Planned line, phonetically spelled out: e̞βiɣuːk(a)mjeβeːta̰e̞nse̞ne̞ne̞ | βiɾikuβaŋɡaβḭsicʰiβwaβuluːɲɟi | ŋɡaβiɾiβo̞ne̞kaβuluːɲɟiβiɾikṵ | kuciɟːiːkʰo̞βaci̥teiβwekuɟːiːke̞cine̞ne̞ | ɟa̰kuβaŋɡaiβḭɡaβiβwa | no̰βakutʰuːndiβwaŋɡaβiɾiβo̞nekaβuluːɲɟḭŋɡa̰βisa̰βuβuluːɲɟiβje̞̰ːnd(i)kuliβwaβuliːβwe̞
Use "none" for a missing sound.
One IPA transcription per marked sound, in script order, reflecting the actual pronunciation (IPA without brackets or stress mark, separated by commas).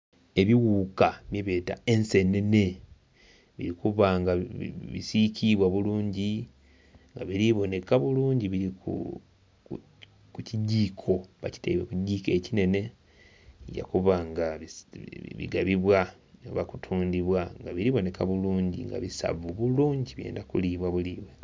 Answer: a, a